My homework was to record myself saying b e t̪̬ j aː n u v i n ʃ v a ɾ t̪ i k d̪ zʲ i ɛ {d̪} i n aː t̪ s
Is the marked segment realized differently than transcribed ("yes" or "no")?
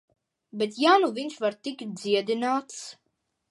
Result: no